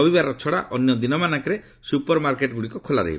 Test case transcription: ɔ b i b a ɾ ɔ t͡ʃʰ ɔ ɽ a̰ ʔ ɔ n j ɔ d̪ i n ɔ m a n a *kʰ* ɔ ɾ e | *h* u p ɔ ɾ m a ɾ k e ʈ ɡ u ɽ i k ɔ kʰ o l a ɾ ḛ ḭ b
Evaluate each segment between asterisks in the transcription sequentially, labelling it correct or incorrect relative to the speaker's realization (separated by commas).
incorrect, incorrect